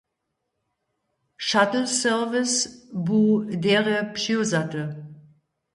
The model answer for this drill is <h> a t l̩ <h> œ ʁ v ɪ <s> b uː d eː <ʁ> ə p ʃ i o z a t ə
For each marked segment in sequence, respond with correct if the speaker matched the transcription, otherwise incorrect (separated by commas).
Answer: incorrect, incorrect, correct, correct